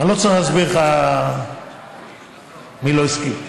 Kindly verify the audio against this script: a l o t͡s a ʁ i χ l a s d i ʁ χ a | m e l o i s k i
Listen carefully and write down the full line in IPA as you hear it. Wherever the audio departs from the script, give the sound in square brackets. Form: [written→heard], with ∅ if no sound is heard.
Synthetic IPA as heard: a l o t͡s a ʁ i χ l a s [d→b] i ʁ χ a | m [e→i] l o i s k i